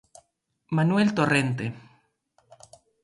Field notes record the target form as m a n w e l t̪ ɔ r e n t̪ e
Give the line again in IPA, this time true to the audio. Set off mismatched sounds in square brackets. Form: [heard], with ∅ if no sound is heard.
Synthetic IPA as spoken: m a n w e l t̪ [o] r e n t̪ e